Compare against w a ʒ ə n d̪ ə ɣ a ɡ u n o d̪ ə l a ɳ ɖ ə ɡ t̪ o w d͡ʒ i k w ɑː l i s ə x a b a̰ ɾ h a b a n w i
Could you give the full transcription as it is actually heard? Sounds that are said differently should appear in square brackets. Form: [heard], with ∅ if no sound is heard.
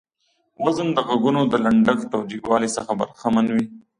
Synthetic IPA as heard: w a [z] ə n d̪ ə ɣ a ɡ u n o d̪ ə l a ɳ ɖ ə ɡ t̪ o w d͡ʒ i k w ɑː l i s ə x a b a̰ ɾ [x] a [m] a n w i

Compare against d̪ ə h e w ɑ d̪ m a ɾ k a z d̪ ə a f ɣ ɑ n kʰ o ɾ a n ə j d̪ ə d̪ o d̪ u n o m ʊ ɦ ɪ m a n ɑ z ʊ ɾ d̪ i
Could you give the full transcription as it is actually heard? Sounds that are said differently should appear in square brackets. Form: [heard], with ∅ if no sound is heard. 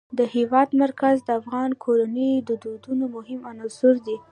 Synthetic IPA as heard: d̪ ə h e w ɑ d̪ m a ɾ k a z d̪ ə a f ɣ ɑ n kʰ o ɾ a n ə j d̪ ə d̪ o d̪ u n o m ʊ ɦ ɪ m a n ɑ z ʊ ɾ d̪ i

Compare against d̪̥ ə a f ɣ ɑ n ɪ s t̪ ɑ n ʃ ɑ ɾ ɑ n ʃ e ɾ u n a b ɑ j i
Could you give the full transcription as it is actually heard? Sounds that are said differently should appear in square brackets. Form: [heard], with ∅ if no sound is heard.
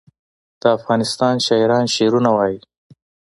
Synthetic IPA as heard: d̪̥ ə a f ɣ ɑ n ɪ s t̪ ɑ n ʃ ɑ ɾ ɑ n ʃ e ɾ u n a [w] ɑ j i

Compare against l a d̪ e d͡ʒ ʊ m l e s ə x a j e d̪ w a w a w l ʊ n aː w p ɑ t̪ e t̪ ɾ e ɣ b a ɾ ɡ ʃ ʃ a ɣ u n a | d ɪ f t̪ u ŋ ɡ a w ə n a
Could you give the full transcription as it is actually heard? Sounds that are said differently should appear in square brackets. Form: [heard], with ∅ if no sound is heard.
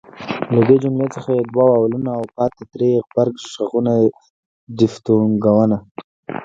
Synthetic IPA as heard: l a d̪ e d͡ʒ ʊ m l e [t͡s] ə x a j e d̪ w a w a w l [u] n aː w p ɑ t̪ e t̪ ɾ e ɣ b a ɾ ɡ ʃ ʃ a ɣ u n a | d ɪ f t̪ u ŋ ɡ a w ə n a

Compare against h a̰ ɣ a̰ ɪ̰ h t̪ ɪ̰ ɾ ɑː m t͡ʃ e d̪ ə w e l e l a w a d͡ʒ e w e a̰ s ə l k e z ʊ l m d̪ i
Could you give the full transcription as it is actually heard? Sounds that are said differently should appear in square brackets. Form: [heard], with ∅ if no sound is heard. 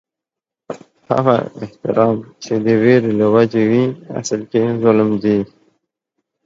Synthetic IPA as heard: h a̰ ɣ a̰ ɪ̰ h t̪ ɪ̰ ɾ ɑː m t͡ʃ e d̪ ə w e [ɾ] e l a w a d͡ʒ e w [i] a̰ s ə l k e z ʊ l m d̪ i

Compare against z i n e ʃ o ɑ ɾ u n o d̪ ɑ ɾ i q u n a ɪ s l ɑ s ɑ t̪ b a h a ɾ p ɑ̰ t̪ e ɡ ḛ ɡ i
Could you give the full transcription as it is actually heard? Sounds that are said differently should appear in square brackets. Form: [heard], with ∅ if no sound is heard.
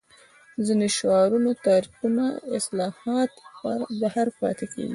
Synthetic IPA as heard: z i n e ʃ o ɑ ɾ u n o [t̪] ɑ ɾ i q u n a ɪ s l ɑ [h] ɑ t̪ b a h a ɾ p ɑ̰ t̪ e [k] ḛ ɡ i

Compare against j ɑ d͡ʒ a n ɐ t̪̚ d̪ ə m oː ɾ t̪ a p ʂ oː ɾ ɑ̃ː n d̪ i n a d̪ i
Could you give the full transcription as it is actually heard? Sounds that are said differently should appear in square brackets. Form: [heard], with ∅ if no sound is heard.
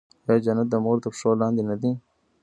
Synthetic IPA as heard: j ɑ d͡ʒ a n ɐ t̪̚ d̪ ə m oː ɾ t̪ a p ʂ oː [l] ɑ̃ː n d̪ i n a d̪ i

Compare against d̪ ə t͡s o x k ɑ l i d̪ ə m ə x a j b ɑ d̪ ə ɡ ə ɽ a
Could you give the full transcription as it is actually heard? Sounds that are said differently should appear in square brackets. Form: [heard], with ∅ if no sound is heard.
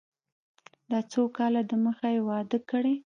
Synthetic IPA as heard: d̪ [ɑ] t͡s o [∅] k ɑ l [a] d̪ ə m ə x a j [w] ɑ d̪ ə [k] ə ɽ [e]

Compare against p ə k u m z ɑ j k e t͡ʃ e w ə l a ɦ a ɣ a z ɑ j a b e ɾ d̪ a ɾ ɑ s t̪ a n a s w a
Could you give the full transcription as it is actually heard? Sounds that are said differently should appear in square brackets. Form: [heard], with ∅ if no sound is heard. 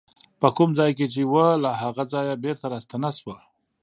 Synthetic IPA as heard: p ə k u m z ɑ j k e t͡ʃ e w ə l a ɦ a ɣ a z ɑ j a b e ɾ [t̪] a ɾ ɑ s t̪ a n a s w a

